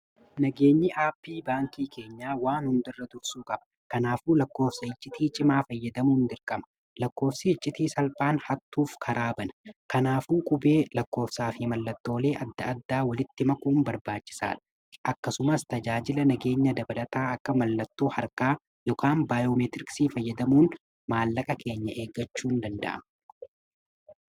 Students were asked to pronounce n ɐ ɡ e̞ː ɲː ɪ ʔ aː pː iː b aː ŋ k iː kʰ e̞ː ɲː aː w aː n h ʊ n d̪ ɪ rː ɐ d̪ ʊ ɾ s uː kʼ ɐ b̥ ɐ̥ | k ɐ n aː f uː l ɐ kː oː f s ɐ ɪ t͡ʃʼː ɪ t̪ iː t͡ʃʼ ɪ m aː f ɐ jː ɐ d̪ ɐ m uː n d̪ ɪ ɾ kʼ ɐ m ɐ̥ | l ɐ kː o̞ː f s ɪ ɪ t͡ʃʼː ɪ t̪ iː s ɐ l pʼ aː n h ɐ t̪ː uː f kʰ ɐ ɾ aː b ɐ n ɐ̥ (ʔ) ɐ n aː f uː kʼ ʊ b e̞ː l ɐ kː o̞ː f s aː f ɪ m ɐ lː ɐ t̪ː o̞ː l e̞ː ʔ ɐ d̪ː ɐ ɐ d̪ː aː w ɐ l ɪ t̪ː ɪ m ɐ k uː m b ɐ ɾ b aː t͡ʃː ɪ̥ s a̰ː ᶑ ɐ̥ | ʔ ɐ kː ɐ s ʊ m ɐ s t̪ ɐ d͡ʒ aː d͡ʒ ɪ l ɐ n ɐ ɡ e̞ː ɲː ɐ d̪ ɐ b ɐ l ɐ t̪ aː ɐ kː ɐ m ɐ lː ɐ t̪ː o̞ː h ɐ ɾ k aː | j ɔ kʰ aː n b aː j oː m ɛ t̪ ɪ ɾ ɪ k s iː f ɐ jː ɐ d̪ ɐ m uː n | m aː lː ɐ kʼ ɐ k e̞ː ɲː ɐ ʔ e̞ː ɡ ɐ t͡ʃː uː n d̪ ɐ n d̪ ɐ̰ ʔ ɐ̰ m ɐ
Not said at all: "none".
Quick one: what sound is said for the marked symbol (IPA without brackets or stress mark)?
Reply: k